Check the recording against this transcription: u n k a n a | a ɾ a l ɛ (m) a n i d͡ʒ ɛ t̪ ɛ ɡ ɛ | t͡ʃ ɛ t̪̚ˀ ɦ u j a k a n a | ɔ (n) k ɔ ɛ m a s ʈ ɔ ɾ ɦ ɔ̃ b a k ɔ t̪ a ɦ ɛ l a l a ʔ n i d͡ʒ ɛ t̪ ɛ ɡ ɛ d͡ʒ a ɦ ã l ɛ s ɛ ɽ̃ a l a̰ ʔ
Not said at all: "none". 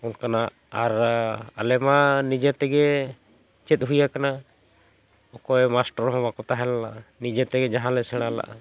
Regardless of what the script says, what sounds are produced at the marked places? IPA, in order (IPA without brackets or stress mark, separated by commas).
m, none